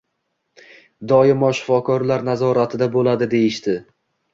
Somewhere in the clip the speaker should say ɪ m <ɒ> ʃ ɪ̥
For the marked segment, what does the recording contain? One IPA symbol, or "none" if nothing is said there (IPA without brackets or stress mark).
ɒ